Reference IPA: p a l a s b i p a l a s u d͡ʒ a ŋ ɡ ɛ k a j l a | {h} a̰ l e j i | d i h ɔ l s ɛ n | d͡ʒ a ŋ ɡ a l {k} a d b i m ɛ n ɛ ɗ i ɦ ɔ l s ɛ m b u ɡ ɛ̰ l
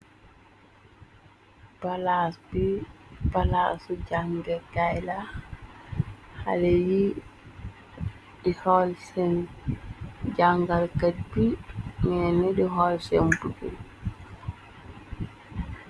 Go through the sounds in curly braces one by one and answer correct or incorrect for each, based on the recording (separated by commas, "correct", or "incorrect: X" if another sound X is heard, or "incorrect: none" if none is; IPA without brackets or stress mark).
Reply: correct, correct